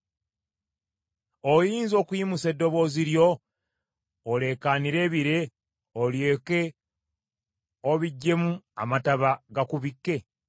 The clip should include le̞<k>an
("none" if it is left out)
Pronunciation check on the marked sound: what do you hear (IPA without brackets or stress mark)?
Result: k